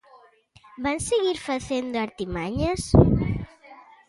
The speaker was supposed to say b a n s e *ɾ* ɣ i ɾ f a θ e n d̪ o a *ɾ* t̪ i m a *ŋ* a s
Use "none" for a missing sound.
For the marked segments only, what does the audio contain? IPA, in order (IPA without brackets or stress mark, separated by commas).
none, ɾ, ɲ